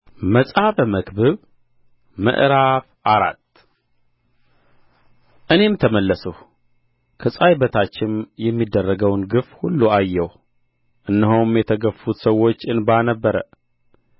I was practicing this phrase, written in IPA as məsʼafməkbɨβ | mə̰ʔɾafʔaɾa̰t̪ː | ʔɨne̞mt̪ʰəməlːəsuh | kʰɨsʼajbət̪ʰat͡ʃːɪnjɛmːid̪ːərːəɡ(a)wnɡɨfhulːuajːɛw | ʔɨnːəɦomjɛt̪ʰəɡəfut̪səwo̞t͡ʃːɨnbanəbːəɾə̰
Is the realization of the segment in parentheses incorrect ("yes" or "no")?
yes